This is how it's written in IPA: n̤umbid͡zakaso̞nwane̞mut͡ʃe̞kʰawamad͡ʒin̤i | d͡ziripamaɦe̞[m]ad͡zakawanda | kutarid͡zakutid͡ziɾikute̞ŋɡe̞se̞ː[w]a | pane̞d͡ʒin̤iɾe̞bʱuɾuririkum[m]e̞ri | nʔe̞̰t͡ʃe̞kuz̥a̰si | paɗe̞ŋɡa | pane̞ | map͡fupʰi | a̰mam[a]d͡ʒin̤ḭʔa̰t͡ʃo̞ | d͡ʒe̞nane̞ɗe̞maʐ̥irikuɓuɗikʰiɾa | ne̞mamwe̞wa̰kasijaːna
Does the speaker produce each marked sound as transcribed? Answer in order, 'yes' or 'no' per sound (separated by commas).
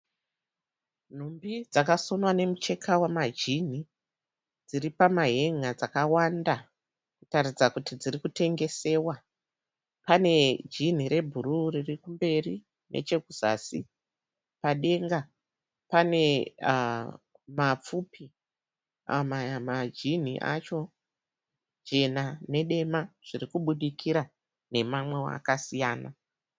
no, yes, no, yes